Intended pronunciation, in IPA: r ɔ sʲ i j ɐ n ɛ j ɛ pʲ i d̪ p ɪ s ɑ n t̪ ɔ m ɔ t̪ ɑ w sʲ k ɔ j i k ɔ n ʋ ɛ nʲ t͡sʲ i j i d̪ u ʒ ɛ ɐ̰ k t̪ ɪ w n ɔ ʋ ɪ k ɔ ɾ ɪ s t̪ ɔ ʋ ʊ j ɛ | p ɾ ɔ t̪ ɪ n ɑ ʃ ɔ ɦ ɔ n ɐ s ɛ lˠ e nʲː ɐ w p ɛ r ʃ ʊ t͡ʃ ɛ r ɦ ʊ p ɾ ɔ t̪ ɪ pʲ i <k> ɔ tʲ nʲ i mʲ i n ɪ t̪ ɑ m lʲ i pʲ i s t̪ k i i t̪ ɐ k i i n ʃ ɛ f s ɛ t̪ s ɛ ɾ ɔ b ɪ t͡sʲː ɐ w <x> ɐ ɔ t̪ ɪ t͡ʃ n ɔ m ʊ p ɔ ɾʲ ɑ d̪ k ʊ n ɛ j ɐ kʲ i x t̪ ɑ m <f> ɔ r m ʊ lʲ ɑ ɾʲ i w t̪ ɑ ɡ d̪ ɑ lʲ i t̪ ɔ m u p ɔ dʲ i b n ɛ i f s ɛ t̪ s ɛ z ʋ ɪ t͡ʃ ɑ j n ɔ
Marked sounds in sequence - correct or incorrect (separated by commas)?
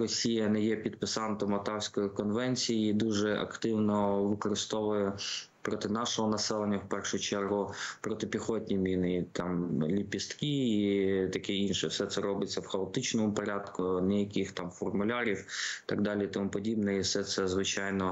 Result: incorrect, correct, correct